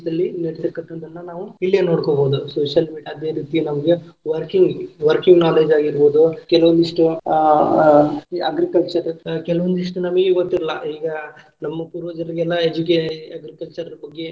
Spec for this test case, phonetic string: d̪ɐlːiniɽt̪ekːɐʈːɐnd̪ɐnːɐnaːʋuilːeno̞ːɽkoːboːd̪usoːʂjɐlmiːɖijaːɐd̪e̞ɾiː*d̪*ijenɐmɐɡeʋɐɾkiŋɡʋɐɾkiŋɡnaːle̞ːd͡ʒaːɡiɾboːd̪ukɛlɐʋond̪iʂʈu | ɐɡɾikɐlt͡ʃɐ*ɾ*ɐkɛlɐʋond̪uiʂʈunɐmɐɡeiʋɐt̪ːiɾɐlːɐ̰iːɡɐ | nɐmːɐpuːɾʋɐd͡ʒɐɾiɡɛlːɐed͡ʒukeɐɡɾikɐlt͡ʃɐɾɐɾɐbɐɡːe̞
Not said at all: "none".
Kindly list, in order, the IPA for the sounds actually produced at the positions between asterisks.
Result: t̪, ɾ

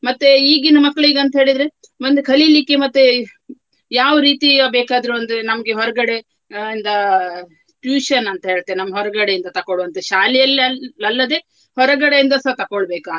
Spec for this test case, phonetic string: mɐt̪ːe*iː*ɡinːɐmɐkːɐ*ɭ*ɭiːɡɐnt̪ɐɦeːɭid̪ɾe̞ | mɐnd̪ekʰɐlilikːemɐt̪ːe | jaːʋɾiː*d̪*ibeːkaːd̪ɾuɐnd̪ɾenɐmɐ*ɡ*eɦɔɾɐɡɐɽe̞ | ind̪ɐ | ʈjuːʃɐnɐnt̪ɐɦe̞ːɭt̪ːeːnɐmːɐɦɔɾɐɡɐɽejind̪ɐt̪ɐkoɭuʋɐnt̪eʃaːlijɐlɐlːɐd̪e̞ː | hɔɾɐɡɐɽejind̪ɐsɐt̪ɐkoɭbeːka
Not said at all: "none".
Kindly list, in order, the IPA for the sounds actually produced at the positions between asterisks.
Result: iː, ɭ, t̪, ɡ

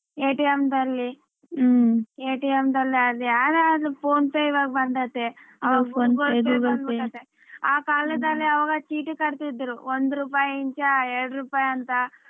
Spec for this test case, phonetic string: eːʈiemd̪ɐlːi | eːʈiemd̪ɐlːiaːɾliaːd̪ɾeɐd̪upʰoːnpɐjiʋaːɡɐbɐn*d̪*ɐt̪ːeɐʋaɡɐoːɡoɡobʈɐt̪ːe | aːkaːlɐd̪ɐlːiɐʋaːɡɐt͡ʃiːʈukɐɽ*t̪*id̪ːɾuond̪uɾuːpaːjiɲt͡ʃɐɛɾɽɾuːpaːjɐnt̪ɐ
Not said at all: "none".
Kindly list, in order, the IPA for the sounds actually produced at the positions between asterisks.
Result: d̪, t̪

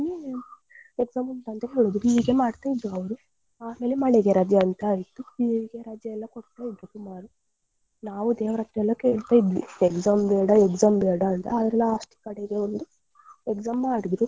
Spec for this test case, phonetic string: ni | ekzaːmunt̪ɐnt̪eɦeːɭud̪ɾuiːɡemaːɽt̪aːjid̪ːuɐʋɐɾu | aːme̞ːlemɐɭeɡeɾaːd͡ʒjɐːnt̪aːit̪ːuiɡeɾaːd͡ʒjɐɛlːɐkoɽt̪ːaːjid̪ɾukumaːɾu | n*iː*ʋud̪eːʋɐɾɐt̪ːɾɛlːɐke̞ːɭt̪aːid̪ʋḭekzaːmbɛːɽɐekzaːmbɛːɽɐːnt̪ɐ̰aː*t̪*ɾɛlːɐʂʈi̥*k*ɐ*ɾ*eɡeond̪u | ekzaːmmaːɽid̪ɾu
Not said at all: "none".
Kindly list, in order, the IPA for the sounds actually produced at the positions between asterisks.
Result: aː, d̪, k, ɽ

